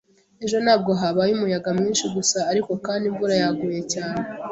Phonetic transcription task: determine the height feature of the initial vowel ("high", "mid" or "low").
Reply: mid